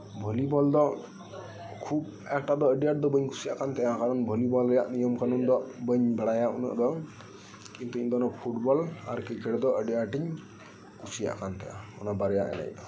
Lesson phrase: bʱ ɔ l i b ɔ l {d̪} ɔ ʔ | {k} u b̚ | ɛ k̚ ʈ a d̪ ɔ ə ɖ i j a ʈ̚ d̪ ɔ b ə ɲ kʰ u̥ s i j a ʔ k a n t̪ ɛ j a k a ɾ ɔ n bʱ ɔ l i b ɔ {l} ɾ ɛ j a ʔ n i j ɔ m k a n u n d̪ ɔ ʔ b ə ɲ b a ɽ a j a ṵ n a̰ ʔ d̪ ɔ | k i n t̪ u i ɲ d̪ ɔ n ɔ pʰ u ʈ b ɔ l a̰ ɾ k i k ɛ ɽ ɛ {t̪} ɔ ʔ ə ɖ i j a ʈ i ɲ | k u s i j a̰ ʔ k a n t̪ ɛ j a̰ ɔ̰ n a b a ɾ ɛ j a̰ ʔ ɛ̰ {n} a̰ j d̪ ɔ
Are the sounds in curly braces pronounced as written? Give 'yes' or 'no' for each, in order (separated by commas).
yes, no, yes, no, yes